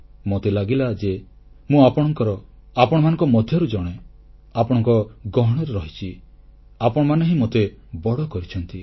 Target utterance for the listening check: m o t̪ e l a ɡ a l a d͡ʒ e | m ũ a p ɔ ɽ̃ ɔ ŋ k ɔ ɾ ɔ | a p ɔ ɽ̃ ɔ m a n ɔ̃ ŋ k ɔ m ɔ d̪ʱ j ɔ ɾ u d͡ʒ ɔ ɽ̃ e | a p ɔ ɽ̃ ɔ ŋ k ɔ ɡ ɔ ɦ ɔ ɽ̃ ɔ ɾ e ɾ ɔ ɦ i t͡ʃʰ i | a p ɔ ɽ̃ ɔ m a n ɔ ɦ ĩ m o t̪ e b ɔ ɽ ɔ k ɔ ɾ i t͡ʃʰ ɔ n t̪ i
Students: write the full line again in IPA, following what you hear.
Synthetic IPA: m o t̪ e l a ɡ i l a d͡ʒ e | m ũ a p ɔ ɽ̃ ɔ ŋ k ɔ ɾ ɔ | a p ɔ ɽ̃ ɔ m a n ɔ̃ ŋ k ɔ m ɔ d̪ʱ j ɔ ɾ u d͡ʒ ɔ ɽ̃ e | a p ɔ ɽ̃ ɔ ŋ k ɔ ɡ ɔ ɦ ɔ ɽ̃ ɔ ɾ e ɾ ɔ ɦ i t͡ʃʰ i | a p ɔ ɽ̃ ɔ m a n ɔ ɦ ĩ m o t̪ e b ɔ ɽ ɔ k ɔ ɾ i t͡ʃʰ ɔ n t̪ i